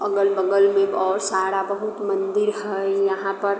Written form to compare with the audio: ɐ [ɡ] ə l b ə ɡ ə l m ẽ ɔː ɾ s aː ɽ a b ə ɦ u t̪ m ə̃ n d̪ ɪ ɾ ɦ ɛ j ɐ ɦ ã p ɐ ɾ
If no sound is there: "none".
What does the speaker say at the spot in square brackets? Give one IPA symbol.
ɡ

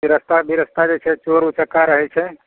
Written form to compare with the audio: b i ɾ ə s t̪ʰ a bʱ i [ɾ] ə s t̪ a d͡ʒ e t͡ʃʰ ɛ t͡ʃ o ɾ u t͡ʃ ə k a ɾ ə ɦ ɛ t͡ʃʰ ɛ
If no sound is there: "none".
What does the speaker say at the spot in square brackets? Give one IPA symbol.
ɾ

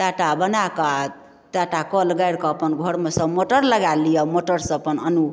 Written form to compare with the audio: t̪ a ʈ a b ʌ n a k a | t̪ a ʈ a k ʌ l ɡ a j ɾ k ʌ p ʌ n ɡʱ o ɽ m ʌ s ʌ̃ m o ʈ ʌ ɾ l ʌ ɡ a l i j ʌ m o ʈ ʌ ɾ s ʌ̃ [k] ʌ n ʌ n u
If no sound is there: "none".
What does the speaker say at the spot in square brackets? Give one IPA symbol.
p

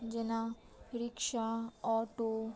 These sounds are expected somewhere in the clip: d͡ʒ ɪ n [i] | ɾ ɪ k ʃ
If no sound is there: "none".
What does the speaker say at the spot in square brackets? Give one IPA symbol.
a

